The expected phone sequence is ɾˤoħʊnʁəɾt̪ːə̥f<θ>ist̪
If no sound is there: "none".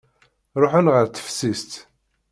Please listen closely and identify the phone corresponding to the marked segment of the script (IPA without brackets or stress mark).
s